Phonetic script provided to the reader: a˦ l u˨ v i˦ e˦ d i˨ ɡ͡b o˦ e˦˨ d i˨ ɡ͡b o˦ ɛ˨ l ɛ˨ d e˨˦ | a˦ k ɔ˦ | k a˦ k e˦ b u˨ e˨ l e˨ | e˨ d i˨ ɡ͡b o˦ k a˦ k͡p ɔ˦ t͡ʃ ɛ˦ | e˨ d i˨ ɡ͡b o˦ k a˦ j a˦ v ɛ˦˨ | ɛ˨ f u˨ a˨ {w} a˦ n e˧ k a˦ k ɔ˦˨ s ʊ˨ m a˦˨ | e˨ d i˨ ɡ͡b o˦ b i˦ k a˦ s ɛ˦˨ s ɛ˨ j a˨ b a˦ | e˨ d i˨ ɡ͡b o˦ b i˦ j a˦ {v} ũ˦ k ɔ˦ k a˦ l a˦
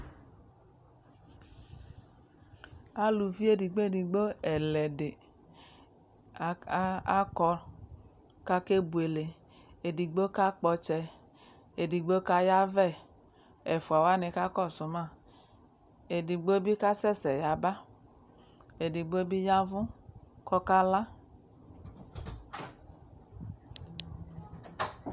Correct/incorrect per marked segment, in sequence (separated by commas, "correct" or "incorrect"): correct, correct